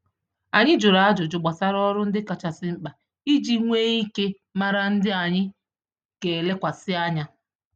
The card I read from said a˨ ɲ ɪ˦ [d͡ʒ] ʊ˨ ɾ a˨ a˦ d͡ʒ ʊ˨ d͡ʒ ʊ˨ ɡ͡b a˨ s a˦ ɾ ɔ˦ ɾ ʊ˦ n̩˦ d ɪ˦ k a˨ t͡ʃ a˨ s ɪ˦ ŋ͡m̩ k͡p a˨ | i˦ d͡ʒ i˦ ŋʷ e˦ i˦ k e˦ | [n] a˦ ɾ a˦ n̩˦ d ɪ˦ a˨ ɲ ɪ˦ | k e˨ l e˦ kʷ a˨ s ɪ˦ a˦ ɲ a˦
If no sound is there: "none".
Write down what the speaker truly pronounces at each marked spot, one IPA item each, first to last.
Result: d͡ʒ, m

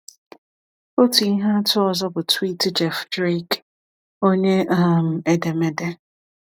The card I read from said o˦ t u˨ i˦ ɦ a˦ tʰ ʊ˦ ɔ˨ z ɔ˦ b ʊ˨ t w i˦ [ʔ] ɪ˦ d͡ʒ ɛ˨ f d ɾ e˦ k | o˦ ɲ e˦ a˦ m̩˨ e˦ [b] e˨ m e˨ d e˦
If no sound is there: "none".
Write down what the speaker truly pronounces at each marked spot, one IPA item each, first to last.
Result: t, d

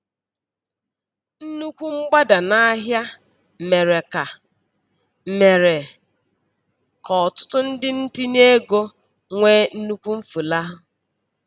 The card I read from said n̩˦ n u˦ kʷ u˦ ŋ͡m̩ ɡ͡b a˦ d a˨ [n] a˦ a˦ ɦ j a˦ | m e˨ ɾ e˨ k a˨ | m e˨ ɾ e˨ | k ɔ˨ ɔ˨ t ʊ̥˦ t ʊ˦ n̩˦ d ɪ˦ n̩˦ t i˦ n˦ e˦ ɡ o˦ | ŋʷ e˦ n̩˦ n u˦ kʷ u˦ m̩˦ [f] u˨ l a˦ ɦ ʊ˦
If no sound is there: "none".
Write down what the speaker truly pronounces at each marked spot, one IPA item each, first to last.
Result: n, f

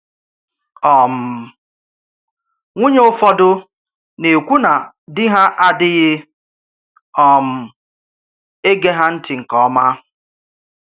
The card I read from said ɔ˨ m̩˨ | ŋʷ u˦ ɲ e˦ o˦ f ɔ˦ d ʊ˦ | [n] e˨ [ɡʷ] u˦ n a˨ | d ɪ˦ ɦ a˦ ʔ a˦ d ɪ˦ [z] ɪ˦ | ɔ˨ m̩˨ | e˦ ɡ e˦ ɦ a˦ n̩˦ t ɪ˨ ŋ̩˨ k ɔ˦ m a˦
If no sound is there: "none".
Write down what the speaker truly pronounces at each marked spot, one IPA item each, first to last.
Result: n, kʷ, ɣ

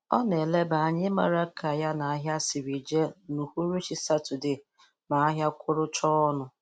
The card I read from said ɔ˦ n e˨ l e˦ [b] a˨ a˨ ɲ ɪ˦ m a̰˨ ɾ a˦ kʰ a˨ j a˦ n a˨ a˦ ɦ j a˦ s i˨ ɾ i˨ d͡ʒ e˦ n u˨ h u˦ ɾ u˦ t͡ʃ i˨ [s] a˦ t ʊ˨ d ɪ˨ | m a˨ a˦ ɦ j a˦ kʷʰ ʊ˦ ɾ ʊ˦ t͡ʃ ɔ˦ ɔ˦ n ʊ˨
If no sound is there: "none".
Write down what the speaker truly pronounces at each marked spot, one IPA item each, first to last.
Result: b, s

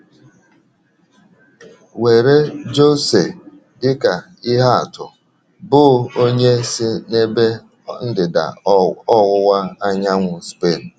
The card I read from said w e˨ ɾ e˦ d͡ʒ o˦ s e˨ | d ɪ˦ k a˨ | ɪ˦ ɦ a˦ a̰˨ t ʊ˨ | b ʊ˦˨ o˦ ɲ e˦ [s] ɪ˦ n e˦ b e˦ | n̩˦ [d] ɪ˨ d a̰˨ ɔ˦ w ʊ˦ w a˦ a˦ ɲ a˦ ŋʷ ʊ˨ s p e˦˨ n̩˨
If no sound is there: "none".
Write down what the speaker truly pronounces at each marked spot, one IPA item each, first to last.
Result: s, d

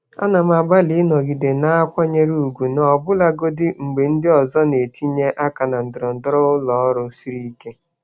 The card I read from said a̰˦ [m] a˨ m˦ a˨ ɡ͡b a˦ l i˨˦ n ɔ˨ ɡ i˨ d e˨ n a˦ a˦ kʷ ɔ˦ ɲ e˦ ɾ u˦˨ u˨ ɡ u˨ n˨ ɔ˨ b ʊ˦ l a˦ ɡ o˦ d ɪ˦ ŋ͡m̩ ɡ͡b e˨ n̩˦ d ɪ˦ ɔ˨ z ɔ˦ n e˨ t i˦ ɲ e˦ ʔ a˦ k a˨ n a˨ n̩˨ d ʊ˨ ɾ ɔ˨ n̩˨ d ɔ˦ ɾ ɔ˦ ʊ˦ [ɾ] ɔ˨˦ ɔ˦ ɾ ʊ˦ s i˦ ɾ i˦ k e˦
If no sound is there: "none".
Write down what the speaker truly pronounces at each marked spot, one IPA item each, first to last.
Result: n, l

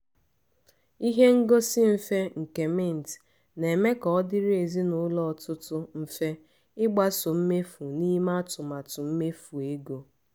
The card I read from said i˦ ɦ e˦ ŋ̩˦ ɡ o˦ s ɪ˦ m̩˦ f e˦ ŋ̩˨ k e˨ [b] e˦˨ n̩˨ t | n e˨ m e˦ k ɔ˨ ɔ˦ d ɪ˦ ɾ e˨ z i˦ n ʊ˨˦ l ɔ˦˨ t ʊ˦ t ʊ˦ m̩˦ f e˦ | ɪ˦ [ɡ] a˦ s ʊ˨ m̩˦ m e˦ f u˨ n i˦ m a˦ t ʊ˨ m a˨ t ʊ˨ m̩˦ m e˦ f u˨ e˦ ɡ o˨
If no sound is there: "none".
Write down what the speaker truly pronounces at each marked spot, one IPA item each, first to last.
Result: m, ɡ͡b

